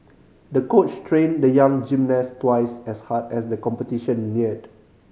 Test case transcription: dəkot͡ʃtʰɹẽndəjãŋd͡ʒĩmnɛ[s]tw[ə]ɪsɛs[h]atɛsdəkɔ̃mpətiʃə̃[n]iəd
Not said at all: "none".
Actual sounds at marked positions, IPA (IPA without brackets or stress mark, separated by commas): s, a, h, nː